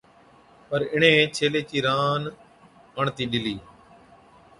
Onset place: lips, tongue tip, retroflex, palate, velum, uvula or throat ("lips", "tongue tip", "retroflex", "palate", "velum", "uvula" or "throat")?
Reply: lips